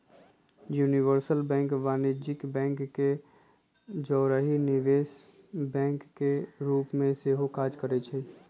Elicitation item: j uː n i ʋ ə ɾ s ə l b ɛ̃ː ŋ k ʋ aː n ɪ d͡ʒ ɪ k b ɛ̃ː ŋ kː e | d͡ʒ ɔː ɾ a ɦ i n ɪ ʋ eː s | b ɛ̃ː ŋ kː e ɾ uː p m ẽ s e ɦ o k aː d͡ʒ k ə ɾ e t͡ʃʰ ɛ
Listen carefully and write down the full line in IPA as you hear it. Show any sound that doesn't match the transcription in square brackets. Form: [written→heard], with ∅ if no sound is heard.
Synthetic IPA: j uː n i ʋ ə ɾ s ə l b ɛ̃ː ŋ k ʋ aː n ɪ d͡ʒ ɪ k b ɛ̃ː ŋ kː e | d͡ʒ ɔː ɾ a ɦ i n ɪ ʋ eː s | b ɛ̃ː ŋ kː e ɾ uː p m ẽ s e ɦ o k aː d͡ʒ k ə ɾ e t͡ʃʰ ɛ